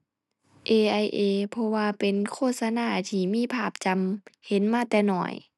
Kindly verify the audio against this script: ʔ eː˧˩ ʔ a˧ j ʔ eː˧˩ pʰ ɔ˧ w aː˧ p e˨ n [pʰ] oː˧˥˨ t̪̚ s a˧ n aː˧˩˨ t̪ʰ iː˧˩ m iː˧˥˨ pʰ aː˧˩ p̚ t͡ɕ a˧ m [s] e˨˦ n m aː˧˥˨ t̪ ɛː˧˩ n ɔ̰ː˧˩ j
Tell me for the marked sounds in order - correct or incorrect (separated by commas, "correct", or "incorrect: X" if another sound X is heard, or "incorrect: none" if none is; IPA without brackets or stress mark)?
incorrect: kʰ, incorrect: h